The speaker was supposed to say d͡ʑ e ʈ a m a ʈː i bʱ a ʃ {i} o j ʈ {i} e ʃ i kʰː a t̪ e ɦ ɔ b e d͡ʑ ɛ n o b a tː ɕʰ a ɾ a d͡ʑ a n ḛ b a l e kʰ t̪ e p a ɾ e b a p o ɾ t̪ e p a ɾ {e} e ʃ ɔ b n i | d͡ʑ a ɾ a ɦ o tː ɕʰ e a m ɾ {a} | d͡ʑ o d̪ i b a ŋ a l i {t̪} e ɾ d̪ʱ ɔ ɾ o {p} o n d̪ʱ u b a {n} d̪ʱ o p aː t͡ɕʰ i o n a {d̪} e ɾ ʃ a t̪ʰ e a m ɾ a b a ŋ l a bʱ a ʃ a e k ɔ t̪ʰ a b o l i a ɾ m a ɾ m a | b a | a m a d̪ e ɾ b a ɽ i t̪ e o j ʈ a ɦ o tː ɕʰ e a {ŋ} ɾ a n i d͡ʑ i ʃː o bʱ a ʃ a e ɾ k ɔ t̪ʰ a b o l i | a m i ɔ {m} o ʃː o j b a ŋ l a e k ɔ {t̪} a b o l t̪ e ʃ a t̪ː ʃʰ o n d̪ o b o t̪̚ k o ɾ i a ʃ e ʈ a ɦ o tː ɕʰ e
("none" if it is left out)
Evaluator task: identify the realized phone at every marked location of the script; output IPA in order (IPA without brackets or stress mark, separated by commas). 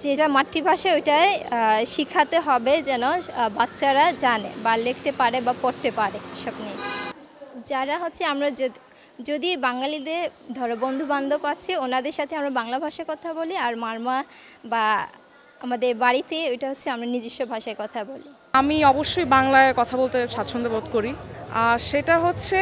a, a, e, a, d̪, b, n, d̪, m, b, t̪ʰ